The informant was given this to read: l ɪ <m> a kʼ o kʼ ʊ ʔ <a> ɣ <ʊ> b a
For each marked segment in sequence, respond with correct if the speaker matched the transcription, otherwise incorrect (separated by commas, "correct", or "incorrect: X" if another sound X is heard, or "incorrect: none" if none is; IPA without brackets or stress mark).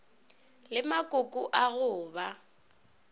correct, correct, incorrect: ʊː